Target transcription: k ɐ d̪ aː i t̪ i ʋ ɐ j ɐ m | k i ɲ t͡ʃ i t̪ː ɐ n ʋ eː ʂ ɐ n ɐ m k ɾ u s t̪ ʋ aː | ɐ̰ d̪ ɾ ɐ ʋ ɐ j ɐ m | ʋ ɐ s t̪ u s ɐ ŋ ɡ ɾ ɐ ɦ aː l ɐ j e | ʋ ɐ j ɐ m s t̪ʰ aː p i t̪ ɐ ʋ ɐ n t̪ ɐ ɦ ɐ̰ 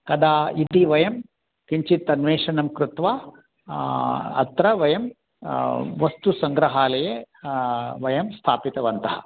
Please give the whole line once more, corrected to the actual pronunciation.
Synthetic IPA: k ɐ d̪ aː i t̪ i ʋ ɐ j ɐ m | k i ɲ t͡ʃ i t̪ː ɐ n ʋ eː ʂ ɐ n ɐ m k ɾ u t̪ ʋ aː | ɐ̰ t̪ ɾ ɐ ʋ ɐ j ɐ m | ʋ ɐ s t̪ u s ɐ ŋ ɡ ɾ ɐ ɦ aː l ɐ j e | ʋ ɐ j ɐ m s t̪ʰ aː p i t̪ ɐ ʋ ɐ n t̪ ɐ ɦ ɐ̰

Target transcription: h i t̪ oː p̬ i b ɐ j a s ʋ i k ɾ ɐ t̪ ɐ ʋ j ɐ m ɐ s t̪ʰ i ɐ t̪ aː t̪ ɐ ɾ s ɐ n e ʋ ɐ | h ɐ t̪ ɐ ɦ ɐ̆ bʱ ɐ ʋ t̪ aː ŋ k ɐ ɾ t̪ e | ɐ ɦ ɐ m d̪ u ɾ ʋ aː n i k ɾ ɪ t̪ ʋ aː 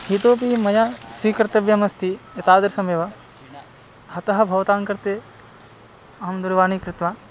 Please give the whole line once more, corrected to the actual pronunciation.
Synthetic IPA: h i t̪ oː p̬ i m ɐ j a s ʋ i k ɾ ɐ t̪ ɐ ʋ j ɐ m ɐ s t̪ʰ i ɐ t̪ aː d̪ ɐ ɾ s ɐ m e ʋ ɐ | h ɐ t̪ ɐ ɦ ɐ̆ bʱ ɐ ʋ t̪ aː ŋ k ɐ ɾ t̪ e | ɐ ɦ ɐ m d̪ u ɾ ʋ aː n i k ɾ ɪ t̪ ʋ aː

